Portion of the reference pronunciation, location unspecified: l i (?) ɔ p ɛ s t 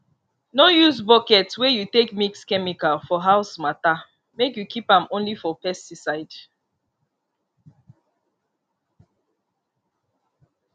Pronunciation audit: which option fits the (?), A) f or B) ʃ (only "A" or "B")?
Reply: A